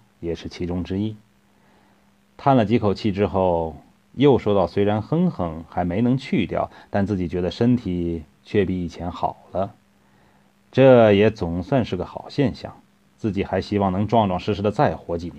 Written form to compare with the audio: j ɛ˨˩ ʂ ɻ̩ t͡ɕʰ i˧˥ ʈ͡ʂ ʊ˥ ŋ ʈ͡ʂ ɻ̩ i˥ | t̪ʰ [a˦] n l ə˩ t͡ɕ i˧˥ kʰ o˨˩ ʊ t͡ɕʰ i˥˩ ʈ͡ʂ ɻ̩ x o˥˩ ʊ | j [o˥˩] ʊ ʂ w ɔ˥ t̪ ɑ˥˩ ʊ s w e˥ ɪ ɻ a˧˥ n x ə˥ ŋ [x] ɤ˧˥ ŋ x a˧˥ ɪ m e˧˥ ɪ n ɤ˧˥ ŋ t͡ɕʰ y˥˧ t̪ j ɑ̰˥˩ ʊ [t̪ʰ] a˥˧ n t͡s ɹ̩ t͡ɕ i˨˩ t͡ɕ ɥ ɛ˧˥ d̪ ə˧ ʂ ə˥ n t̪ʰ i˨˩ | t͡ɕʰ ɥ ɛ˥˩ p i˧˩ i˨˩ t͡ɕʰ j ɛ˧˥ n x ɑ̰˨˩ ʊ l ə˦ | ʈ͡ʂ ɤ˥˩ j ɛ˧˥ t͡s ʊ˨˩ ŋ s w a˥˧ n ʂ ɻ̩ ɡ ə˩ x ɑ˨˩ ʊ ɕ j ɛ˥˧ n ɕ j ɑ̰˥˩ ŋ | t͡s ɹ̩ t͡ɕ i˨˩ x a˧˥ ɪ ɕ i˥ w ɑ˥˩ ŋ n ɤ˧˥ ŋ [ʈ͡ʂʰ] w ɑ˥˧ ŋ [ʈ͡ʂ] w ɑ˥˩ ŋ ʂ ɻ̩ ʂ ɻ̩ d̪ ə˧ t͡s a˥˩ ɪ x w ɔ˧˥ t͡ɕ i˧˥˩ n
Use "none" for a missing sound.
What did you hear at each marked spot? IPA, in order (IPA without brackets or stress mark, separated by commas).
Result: a˥˩, o˥˩, x, t̪, ʈ͡ʂ, ʈ͡ʂ